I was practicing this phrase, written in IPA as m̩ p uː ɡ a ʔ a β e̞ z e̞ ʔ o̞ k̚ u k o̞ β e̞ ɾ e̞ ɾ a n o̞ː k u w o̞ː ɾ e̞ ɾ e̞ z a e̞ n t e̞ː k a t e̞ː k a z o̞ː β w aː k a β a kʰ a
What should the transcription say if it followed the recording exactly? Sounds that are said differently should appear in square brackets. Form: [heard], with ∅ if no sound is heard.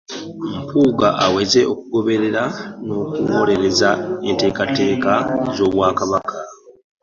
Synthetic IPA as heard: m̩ p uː ɡ a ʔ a [w] e̞ z e̞ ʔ o̞ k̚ u [ɡ] o̞ β e̞ ɾ e̞ ɾ a n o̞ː k u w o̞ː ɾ e̞ ɾ e̞ z a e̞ n t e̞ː k a t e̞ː k a z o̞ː β w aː k a β a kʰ a